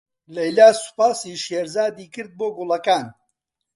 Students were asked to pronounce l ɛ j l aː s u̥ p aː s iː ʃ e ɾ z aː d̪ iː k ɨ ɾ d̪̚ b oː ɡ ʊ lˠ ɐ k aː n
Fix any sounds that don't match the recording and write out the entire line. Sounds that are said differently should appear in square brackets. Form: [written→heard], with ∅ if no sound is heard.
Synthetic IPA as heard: l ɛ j l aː s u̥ p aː s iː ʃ e ɾ z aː d̪ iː k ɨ ɾ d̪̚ b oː ɡ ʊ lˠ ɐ k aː n